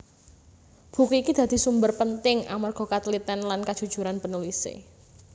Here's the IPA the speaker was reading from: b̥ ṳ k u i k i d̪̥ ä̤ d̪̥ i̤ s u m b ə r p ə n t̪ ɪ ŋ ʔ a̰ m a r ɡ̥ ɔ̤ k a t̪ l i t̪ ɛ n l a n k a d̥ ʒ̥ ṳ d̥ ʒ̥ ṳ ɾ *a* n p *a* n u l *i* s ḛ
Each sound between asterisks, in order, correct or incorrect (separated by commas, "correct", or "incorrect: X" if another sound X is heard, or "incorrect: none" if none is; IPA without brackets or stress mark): correct, incorrect: ə, correct